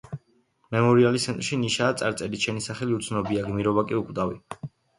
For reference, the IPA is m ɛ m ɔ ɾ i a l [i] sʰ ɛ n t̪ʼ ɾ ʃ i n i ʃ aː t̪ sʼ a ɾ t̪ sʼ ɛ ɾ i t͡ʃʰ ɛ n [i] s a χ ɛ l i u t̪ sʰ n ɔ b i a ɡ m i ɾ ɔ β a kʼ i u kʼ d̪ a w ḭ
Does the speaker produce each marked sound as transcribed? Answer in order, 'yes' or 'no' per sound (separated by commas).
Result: yes, yes